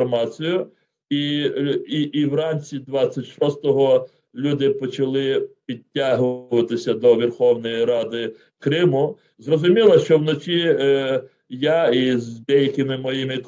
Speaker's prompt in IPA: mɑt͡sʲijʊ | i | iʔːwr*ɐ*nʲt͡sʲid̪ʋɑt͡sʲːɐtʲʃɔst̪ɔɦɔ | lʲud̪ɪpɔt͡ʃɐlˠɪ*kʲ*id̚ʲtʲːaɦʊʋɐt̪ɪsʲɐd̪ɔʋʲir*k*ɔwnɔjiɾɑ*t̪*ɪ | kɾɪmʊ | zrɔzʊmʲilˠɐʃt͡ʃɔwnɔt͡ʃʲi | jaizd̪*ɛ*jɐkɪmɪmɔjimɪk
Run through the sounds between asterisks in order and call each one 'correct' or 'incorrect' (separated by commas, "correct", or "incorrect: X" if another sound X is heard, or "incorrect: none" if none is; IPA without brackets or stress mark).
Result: incorrect: ɑ, incorrect: pʲ, incorrect: x, incorrect: d̪, correct